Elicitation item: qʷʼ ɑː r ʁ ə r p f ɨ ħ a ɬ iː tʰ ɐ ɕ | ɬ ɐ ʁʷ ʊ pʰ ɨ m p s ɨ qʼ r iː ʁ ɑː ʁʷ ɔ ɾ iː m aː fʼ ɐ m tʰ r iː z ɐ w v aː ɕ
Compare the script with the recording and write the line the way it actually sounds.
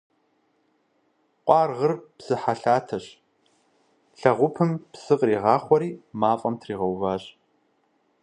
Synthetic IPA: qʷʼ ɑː r ʁ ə r p s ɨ ħ a ɬ aː tʰ ɐ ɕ | ɬ ɐ ʁʷ ʊ pʰ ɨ m p s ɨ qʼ r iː ʁ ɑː χʷ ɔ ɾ iː m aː fʼ ɐ m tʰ r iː ʁ ɐ w v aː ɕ

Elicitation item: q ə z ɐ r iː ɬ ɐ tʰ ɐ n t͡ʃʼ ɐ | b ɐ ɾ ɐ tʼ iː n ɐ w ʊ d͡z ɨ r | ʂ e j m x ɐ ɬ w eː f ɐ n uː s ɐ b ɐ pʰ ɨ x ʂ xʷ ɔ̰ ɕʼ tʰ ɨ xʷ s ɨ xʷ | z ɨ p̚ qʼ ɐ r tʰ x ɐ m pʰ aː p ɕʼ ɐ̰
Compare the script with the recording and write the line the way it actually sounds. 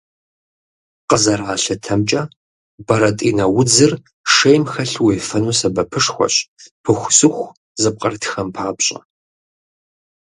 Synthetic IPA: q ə z ɐ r aː ɬ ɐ tʰ ɐ m t͡ʃʼ ɐ | b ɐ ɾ ɐ tʼ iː n ɐ w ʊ d͡z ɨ r | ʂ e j m x ɐ ɬ w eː f ɐ n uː s ɐ b ɐ pʰ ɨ ʂ xʷ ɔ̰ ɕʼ pʰ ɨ xʷ s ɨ xʷ | z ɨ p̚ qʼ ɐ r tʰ x ɐ m pʰ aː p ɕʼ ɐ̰

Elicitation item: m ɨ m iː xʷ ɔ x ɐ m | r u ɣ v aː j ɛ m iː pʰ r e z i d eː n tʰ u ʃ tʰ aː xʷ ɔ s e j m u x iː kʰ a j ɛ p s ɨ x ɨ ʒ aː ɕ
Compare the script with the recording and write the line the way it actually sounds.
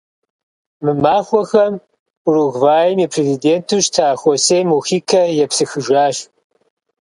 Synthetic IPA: m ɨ m aː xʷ ɔ x ɐ m | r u ɣ v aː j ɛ m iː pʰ r e z i d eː n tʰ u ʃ tʰ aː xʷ ɔ s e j m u x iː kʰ ɐ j ɛ p s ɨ x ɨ ʒ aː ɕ

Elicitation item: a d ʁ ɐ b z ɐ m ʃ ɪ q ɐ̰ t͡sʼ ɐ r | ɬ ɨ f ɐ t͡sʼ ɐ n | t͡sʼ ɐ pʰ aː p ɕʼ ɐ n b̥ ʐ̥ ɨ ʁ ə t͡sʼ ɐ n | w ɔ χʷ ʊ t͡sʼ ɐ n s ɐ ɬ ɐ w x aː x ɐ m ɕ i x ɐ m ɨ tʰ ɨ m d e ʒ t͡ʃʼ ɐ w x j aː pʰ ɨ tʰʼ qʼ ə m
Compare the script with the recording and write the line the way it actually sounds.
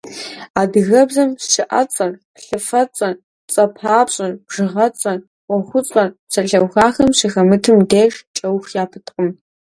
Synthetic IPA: a d ɣ ɐ b z ɐ m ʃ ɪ ʔ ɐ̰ t͡sʼ ɐ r | ɬ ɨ f ɐ t͡sʼ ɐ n | t͡sʼ ɐ pʰ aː p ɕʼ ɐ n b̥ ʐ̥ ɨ ʁ ɐ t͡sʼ ɐ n | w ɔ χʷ ʊ t͡sʼ ɐ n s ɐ ɬ ɐ w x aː x ɐ m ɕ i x ɐ m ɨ tʰ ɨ m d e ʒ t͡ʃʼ ɐ w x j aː pʰ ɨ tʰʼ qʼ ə m

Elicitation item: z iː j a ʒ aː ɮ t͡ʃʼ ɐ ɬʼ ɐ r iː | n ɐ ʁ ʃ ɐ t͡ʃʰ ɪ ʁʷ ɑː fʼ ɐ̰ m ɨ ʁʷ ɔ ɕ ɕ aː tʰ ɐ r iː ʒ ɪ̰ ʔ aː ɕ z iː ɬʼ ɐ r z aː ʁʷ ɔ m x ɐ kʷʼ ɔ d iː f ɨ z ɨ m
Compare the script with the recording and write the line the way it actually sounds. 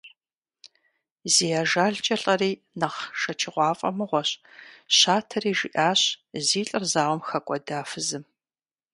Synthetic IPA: z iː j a ʒ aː ɮ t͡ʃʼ ɐ ɬʼ ɐ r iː | n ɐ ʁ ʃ ɐ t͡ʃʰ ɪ ʁʷ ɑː fʼ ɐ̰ m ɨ ʁʷ ɔ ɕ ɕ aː tʰ ɐ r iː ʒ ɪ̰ ʔ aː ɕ z iː ɬʼ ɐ r z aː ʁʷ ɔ m x ɐ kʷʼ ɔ d aː f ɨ z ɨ m

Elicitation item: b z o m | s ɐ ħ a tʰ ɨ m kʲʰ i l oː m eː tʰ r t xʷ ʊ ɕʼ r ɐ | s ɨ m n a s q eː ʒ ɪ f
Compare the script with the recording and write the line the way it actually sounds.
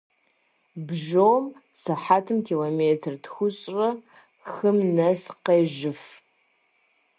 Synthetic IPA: b ʒ o m | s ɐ ħ a tʰ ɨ m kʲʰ i l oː m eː tʰ r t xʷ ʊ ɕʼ r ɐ | x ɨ m n ɐ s q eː ʒ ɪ f

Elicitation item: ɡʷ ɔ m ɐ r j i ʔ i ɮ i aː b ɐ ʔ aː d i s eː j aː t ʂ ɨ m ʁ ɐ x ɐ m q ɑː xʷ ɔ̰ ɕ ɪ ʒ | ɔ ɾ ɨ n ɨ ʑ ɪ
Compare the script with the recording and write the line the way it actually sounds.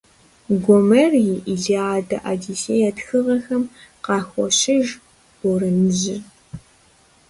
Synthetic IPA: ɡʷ ɔ m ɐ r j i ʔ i ɮ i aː d ɐ ʔ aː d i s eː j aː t x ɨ ʁ ɐ x ɐ m q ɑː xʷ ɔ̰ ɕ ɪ ʒ | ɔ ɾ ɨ n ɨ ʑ ɪ

